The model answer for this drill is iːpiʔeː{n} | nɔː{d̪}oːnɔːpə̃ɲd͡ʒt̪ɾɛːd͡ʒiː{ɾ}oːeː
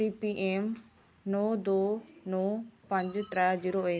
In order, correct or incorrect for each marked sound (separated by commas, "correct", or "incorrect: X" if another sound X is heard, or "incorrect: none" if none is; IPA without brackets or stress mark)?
incorrect: m, correct, correct